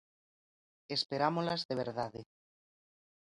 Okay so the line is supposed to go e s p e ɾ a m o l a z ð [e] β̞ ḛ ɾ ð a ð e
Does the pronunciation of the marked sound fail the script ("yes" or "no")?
no